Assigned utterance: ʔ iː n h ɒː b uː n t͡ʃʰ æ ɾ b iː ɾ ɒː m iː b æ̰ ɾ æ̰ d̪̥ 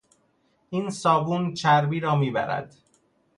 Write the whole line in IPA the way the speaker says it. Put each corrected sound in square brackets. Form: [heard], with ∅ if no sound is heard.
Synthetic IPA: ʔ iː n [s] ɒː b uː n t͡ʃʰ æ ɾ b iː ɾ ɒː m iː b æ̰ ɾ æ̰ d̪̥